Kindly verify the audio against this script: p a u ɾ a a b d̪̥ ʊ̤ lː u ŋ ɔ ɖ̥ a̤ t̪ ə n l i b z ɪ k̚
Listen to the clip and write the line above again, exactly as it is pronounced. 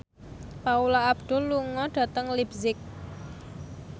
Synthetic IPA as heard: p a u l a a b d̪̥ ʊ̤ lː u ŋ ɔ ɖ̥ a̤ t̪ ə ŋ l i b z ɪ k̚